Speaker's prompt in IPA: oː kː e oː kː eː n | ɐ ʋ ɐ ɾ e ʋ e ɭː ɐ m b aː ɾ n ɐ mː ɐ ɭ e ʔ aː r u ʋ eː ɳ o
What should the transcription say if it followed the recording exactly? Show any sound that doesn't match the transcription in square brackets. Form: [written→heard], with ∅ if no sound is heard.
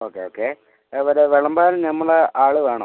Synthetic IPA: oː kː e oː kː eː [n→∅] | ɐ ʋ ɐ ɾ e ʋ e [ɭː→ɭ] ɐ m b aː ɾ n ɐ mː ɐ ɭ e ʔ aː [r→ɭ] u ʋ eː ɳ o